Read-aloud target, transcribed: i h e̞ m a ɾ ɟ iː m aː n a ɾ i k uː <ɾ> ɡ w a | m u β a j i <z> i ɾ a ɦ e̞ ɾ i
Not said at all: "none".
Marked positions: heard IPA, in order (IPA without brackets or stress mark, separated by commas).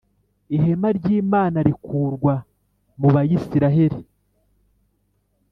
ɾ, s